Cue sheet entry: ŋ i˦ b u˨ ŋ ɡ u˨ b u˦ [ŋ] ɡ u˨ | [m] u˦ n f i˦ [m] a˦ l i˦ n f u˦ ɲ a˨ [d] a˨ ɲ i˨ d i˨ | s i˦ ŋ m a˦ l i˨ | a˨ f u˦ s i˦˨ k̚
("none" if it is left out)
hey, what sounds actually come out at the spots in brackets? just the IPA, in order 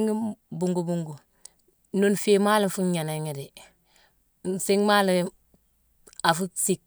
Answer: ŋ, n, m, n

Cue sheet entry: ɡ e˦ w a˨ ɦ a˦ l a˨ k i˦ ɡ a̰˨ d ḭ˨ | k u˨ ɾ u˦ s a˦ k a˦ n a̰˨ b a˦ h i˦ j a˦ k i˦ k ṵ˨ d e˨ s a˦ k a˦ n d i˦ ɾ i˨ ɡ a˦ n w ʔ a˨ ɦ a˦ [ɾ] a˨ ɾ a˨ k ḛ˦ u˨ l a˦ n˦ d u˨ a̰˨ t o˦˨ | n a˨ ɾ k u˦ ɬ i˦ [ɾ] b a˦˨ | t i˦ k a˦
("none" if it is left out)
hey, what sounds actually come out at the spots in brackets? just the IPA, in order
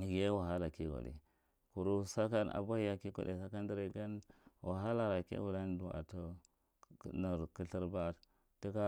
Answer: l, ɾ

